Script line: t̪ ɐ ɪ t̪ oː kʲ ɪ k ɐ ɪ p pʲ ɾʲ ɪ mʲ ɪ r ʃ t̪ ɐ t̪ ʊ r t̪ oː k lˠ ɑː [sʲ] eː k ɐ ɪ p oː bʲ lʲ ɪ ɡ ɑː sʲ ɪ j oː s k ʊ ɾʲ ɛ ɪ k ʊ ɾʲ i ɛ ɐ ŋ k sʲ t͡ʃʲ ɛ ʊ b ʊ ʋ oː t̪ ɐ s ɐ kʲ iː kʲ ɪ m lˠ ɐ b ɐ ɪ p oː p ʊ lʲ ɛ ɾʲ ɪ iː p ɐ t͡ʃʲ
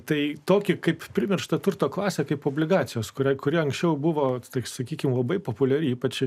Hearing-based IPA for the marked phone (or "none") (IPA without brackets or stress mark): sʲ